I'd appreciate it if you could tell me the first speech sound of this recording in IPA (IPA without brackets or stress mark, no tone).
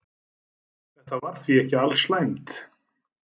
θ